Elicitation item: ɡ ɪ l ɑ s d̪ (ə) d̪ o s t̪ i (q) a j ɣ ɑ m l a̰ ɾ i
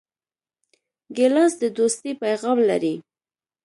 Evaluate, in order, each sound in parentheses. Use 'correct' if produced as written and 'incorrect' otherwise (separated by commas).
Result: correct, incorrect